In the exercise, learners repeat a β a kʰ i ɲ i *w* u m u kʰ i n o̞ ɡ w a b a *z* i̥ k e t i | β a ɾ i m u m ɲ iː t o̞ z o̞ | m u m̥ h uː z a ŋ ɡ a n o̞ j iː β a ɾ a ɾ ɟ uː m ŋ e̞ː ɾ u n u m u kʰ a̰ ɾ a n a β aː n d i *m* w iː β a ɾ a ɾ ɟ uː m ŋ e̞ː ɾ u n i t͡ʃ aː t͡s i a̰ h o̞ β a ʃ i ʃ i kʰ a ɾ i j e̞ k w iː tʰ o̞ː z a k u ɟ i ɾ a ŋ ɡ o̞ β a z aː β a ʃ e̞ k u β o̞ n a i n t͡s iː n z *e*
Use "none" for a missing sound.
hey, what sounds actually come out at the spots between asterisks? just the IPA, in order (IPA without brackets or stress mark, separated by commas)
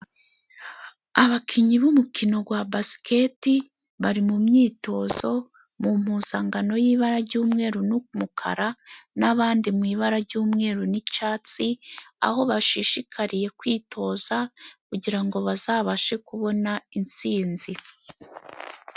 β, s, m, i